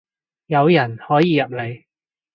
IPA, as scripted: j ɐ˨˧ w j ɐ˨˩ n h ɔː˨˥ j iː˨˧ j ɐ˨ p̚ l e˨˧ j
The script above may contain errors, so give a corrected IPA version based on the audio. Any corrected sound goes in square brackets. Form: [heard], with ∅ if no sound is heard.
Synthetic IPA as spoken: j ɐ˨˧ w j ɐ˨˩ n h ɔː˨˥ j iː˨˧ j ɐ˨ p̚ l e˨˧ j